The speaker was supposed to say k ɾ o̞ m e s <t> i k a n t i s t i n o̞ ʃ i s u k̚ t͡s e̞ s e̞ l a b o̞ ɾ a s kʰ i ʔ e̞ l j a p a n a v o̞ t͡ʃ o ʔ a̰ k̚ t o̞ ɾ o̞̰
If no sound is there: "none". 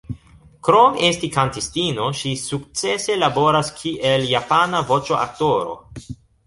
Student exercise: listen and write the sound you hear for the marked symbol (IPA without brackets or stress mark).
t